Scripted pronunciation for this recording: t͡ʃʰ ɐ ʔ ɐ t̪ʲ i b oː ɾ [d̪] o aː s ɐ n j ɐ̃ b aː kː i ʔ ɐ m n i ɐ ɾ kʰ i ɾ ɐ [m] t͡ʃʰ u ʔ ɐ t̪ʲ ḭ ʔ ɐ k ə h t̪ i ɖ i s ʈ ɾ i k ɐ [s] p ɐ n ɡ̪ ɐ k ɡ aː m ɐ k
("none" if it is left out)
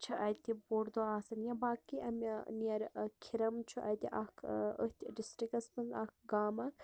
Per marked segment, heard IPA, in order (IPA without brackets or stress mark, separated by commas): d̪, m, s